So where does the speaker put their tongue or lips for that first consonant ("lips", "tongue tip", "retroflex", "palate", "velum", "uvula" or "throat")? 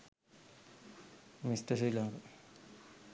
lips